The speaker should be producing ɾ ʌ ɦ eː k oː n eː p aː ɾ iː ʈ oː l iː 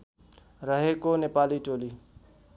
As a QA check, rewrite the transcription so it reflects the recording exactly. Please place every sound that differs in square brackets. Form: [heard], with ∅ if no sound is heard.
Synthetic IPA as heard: ɾ [ə] ɦ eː k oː n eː p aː [l] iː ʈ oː l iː